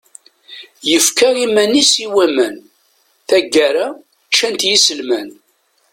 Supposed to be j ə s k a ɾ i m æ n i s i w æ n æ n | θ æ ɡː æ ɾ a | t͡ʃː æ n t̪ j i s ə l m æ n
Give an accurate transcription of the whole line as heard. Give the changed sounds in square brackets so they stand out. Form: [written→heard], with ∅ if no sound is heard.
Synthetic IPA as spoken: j ə [s→f] k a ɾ i m æ n i s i w æ [n→m] æ n | θ æ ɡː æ ɾ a | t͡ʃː æ n t̪ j i s ə l m æ n